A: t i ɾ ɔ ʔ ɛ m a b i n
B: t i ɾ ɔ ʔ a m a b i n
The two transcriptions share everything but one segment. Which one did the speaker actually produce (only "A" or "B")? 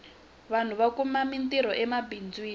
A